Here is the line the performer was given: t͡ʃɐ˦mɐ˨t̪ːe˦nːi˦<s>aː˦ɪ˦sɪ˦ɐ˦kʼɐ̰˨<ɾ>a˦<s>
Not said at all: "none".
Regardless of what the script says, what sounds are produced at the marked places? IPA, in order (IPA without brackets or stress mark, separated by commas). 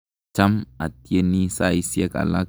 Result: s, l, none